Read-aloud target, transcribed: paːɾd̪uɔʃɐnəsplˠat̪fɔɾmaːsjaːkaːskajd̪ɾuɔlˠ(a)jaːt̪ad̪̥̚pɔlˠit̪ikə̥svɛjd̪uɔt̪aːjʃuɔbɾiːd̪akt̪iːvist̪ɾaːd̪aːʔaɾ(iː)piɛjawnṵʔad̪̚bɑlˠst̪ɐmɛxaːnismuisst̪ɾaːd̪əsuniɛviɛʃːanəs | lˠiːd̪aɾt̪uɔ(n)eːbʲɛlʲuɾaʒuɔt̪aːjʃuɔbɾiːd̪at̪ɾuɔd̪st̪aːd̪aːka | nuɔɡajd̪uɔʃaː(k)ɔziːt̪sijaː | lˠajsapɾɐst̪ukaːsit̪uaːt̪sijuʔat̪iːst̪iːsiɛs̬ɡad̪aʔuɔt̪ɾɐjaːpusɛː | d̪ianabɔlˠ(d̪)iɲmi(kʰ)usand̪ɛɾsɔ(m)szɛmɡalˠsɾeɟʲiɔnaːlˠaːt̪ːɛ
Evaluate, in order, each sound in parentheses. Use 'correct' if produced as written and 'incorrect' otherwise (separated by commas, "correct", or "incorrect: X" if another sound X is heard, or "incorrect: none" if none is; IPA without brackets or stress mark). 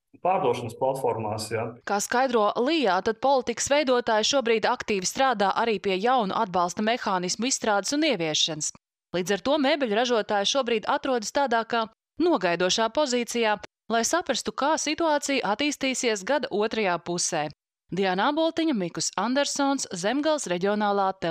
incorrect: i, correct, incorrect: m, incorrect: p, incorrect: t̪, incorrect: k, incorrect: n